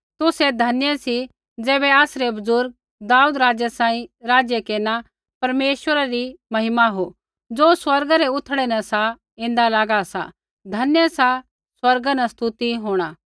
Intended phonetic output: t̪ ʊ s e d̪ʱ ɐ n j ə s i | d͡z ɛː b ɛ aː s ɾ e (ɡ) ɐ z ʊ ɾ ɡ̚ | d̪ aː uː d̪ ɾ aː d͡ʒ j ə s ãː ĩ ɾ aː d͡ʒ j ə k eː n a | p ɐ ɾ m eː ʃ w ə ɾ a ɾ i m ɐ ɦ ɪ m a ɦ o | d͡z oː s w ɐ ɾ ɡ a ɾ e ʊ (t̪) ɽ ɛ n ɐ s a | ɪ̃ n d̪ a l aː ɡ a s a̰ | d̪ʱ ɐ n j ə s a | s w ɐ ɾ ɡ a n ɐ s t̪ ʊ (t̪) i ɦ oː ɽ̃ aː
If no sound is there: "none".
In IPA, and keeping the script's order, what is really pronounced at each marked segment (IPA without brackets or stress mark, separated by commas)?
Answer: b, t̪ʰ, t̪